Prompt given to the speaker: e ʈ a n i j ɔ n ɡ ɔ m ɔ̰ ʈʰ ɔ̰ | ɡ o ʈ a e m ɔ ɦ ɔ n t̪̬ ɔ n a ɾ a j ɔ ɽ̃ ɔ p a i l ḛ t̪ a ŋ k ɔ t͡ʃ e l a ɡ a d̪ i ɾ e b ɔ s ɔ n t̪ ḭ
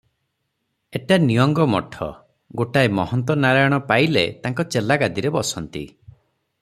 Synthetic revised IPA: e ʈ a n i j ɔ ŋ ɡ ɔ m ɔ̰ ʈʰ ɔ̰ | ɡ o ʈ a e m ɔ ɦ ɔ n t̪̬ ɔ n a ɾ a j ɔ ɽ̃ ɔ p a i l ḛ t̪ a ŋ k ɔ t͡ʃ e l a ɡ a d̪ i ɾ e b ɔ s ɔ n t̪ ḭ